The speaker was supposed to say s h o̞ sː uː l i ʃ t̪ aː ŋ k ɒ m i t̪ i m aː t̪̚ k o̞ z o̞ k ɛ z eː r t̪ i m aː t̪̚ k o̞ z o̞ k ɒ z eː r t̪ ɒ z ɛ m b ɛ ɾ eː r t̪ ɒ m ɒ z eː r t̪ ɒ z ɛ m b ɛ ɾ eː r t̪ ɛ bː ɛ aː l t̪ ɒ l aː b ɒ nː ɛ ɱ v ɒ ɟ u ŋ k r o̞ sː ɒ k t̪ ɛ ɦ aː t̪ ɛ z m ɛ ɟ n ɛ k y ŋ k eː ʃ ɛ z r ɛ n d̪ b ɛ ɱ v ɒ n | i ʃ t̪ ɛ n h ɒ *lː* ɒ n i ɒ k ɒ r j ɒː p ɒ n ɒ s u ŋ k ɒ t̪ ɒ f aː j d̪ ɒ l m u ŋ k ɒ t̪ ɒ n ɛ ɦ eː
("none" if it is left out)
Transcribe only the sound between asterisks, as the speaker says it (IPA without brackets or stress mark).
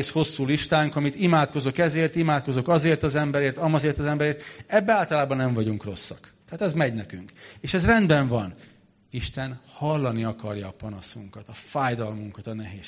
lː